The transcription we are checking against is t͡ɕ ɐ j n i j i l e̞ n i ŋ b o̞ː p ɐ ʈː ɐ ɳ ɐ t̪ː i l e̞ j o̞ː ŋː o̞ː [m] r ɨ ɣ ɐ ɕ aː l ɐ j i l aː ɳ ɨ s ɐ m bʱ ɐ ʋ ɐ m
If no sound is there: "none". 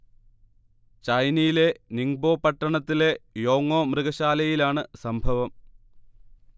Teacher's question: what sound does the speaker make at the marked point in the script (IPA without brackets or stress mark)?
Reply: m